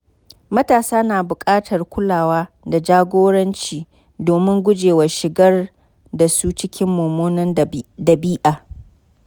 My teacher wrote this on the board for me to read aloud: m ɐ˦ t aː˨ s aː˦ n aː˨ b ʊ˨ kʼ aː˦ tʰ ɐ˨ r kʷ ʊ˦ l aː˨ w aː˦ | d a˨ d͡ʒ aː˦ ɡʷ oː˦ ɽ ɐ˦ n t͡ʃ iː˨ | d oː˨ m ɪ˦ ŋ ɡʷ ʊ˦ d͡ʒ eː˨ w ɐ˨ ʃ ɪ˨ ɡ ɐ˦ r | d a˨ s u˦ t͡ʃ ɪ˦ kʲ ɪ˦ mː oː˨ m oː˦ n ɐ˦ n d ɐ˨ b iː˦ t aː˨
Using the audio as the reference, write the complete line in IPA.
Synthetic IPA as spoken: m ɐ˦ t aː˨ s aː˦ n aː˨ b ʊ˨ kʼ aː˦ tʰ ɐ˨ r kʷ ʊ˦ l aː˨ w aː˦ | d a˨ d͡ʒ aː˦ ɡʷ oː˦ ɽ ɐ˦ n t͡ʃ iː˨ | d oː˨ m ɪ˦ ŋ ɡʷ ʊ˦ d͡ʒ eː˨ w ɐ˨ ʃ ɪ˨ ɡ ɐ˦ r | d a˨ s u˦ t͡ʃ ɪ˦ kʲ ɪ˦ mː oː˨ m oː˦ n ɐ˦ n d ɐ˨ b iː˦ ʔ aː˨